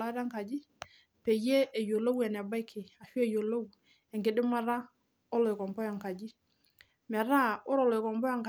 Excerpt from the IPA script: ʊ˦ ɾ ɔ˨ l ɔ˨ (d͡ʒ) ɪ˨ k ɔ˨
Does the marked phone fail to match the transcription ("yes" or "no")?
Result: yes